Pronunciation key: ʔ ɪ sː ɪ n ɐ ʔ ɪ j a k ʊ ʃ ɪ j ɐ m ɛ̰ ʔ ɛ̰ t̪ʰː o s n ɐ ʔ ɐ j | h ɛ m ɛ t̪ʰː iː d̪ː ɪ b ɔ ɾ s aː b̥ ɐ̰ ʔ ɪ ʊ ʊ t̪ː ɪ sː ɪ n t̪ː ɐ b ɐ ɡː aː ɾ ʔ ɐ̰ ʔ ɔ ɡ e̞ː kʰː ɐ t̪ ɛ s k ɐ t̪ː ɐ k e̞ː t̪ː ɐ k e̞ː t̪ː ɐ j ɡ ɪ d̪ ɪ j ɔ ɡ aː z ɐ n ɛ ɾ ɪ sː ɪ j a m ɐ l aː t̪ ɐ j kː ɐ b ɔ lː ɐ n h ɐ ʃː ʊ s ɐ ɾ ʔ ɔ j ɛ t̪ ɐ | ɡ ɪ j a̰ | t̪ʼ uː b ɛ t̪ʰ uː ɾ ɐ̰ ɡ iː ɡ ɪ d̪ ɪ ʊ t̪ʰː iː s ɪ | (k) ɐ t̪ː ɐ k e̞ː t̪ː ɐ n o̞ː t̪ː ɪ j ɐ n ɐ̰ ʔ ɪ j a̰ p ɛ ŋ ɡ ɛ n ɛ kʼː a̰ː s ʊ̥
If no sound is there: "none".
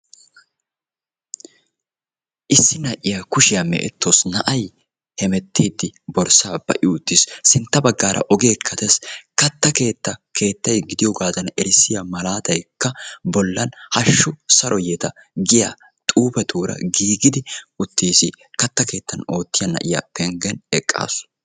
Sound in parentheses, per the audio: k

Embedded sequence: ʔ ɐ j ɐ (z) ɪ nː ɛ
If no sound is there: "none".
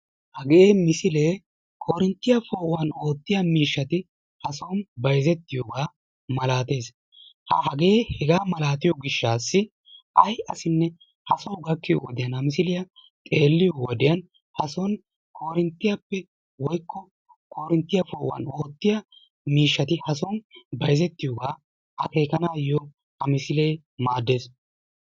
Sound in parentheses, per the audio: s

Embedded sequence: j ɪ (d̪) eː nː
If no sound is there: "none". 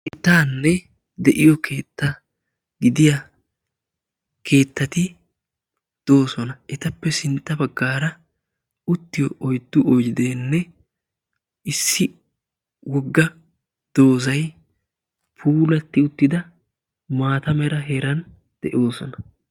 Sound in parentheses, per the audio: d̪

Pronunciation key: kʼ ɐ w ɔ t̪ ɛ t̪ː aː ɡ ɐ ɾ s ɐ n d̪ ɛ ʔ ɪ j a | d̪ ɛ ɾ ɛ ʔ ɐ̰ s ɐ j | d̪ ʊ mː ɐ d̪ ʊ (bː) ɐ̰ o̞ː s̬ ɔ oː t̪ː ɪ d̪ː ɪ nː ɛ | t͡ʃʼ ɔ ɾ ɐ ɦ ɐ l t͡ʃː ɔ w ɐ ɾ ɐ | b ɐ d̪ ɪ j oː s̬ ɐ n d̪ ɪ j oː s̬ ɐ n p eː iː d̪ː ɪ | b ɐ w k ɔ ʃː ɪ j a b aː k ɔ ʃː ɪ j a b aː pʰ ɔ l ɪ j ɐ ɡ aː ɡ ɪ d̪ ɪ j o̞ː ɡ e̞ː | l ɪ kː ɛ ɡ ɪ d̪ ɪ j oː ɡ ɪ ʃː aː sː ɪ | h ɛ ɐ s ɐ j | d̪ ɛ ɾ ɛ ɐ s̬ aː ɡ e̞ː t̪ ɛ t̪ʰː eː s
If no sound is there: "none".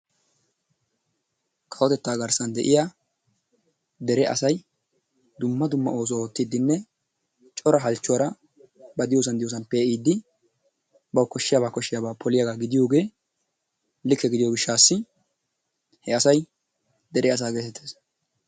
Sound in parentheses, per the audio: mː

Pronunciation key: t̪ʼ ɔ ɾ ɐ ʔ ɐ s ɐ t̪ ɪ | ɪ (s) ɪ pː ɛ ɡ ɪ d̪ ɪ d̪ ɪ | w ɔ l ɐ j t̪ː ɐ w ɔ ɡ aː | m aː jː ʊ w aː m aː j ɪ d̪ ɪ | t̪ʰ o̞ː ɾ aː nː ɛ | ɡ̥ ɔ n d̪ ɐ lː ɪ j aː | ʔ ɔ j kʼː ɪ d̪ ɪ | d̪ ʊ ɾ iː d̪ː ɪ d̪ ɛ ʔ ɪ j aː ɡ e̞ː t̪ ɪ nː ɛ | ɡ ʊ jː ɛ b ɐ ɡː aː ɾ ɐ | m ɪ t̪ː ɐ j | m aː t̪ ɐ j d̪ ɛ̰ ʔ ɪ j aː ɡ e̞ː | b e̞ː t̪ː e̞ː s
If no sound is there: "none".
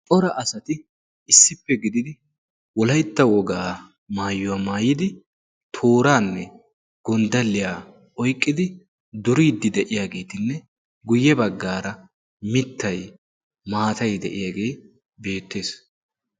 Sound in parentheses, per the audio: sː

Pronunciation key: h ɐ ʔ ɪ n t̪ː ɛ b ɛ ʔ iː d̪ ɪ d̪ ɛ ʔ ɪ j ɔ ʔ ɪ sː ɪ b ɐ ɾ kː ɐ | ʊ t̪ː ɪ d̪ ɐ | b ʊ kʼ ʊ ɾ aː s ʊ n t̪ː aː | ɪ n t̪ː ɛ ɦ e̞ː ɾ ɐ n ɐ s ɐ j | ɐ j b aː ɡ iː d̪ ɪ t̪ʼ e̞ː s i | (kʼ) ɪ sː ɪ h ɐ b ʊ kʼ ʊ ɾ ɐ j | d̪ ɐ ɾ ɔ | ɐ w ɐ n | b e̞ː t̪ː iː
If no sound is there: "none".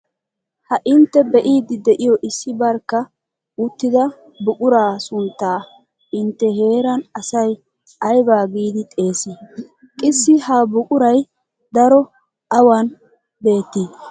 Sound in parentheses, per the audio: kʼ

